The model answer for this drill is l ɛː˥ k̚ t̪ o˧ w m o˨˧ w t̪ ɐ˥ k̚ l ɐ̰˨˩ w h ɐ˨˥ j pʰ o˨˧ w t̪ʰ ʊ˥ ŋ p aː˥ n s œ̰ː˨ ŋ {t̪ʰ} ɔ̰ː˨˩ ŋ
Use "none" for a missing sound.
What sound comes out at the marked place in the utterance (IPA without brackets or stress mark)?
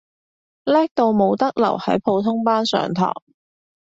t̪ʰ